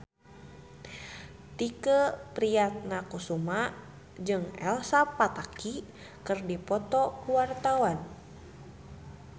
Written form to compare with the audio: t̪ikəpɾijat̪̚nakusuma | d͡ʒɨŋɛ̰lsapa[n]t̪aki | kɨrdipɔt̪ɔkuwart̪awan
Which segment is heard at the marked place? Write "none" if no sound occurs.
none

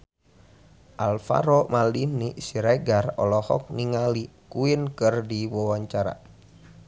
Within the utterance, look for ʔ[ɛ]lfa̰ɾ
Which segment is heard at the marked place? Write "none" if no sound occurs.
a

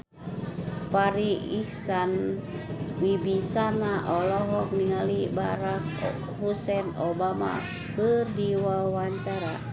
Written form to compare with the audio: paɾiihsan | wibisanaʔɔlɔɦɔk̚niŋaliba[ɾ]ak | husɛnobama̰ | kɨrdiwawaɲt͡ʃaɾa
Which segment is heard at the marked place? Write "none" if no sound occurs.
ɾ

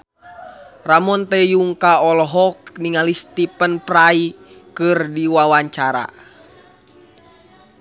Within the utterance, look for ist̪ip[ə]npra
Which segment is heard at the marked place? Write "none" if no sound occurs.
ə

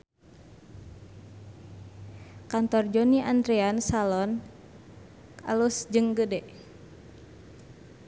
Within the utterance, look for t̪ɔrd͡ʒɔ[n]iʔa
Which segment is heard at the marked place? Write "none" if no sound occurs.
n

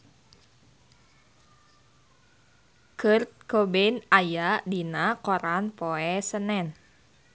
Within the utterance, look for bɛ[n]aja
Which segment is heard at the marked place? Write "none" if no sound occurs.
n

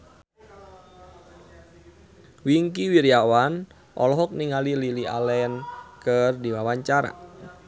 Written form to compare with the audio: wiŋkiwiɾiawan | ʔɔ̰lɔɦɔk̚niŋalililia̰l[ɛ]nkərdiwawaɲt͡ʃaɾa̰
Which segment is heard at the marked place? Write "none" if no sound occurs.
ɛ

